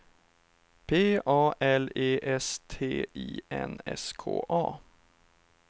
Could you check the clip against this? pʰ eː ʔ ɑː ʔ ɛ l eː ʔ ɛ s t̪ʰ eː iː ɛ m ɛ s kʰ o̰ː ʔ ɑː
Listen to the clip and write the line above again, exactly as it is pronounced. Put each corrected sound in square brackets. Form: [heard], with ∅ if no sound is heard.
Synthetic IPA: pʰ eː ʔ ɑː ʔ ɛ l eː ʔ ɛ s t̪ʰ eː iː ɛ [n] ɛ s kʰ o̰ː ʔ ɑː